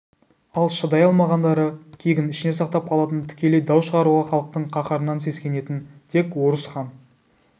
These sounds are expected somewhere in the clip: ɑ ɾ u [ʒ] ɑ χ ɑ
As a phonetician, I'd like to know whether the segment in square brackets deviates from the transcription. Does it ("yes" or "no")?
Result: yes